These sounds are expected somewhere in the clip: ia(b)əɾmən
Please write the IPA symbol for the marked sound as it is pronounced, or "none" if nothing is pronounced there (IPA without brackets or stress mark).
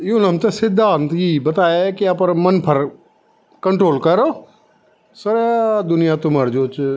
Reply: p